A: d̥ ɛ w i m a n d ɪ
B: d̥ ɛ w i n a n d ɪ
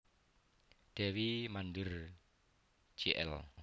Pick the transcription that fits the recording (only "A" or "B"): A